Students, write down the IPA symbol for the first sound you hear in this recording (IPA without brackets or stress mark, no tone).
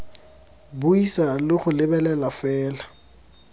b